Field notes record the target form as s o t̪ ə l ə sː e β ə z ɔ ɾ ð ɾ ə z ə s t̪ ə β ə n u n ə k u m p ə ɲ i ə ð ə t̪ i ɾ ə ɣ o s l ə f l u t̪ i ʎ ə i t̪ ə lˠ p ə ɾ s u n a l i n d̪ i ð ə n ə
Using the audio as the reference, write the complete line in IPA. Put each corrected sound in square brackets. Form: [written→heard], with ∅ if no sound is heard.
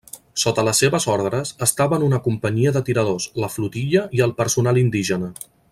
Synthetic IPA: s o t̪ ə l ə sː e β ə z ɔ ɾ ð ɾ ə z ə s t̪ [ə→a] β ə n u n ə k u m p ə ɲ i ə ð ə t̪ i ɾ ə [ɣ→ð] o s l ə f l u t̪ i ʎ ə i [t̪→∅] ə lˠ p ə ɾ s u n a l i n d̪ i [ð→ʒ] ə n ə